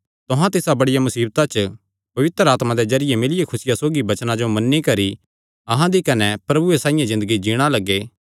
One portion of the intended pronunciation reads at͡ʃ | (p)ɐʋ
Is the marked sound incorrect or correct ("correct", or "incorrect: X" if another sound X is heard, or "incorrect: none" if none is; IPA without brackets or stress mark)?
correct